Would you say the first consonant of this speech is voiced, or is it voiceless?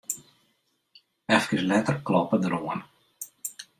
voiceless